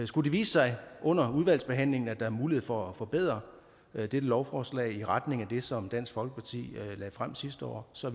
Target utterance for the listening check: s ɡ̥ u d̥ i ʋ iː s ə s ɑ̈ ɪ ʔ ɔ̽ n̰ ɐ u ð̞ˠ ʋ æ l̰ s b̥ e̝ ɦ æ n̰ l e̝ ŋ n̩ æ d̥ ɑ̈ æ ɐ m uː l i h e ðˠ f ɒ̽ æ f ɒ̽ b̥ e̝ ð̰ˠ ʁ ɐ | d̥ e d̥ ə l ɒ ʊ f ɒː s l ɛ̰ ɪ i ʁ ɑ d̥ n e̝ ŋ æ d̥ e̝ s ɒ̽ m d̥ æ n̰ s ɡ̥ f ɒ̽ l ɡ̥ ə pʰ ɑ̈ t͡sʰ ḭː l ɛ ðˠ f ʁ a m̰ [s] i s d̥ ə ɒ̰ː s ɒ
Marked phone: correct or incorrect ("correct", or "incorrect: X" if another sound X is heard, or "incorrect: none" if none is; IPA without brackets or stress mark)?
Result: correct